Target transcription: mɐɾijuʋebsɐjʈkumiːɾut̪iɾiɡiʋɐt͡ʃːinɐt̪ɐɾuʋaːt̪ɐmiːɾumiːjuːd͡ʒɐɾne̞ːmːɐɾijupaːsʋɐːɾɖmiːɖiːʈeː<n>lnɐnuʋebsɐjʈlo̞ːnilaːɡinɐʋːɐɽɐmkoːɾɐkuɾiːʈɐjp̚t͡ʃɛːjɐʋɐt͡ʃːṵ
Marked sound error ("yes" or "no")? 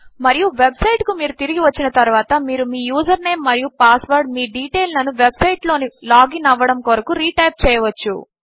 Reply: yes